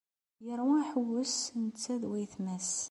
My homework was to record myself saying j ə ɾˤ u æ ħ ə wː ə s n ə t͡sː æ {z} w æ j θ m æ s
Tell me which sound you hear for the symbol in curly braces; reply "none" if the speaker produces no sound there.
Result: ð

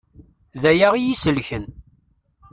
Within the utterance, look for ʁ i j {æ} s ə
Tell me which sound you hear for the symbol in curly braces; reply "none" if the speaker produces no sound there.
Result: i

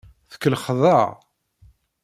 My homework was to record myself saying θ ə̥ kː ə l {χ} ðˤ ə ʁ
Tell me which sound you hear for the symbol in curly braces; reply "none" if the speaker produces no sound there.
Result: χ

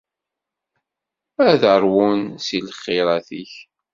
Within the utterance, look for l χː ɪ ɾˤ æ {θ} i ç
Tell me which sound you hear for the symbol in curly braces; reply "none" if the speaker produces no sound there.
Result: θ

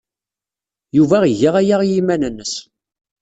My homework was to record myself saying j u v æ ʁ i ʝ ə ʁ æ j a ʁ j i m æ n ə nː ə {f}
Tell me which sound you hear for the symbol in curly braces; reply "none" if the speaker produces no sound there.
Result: s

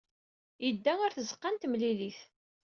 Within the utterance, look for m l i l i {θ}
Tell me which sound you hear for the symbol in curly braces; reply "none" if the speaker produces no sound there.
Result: θ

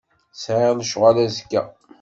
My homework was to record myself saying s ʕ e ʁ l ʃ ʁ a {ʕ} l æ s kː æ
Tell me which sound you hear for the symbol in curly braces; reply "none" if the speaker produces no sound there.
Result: none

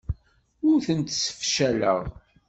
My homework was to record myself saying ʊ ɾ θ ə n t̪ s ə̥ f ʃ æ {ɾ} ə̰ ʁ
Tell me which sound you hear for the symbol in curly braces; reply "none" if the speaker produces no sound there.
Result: l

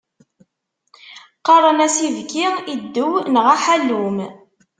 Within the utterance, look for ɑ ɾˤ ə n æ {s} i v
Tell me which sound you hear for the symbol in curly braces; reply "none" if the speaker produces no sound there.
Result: s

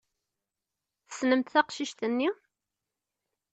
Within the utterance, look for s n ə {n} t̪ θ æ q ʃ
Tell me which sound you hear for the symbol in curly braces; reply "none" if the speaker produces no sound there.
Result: m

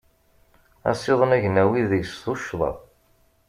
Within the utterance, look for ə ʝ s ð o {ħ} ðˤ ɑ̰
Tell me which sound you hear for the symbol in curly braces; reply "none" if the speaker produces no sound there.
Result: ʃ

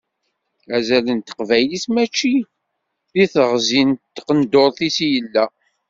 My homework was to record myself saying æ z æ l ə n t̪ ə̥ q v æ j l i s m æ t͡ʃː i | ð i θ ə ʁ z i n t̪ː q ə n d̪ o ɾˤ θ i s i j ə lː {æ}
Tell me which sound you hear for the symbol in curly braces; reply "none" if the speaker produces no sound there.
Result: æ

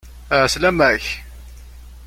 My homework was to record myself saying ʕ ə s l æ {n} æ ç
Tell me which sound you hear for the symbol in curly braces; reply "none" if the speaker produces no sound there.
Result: m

